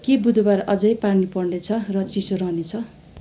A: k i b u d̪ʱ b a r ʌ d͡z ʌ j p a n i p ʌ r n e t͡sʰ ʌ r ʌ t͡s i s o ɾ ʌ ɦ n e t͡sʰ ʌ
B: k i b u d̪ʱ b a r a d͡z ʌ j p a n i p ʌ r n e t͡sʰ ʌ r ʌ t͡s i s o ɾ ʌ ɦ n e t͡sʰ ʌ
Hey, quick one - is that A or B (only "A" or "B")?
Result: A